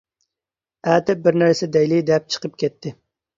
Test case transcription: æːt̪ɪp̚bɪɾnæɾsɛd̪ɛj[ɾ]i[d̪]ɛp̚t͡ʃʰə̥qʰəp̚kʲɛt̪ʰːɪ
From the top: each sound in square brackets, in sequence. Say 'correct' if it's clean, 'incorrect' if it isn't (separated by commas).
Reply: incorrect, correct